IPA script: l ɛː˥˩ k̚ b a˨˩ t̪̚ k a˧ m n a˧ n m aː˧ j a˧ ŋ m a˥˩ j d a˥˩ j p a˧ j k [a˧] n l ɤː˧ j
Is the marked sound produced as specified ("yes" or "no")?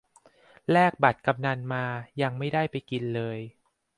no